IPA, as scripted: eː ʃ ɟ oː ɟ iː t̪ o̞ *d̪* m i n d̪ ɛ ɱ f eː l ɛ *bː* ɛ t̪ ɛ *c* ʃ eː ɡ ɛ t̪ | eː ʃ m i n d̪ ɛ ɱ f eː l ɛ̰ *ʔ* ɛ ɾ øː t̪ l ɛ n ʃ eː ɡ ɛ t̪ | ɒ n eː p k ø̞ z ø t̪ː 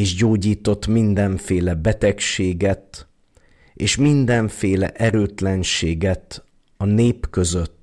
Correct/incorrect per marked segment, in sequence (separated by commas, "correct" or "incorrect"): incorrect, incorrect, incorrect, correct